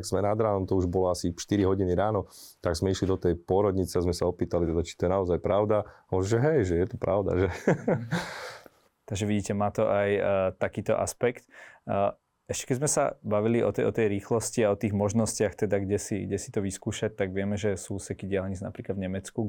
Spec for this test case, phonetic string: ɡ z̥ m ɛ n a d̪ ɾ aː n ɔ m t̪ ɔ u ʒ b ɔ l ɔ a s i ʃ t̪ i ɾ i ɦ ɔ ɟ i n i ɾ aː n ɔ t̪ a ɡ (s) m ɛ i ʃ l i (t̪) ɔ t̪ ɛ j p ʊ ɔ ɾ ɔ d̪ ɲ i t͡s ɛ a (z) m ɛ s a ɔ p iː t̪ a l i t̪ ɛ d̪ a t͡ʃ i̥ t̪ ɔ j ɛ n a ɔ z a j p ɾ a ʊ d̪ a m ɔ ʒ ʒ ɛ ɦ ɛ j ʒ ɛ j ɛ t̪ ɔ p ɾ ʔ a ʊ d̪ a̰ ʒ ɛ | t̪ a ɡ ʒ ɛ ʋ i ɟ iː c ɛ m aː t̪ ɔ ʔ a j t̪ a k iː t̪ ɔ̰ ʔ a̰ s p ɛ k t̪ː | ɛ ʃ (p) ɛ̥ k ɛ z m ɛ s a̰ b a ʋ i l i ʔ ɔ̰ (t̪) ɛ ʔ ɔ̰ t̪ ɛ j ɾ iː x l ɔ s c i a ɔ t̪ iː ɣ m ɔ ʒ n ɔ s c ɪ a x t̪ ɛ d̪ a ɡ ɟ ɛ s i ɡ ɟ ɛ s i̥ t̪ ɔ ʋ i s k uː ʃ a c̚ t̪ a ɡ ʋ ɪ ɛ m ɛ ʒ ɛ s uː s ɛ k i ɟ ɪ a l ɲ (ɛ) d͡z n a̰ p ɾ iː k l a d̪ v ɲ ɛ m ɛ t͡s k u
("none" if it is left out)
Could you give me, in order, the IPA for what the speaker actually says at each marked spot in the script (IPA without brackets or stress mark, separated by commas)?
z, d̪, z, c, t̪, i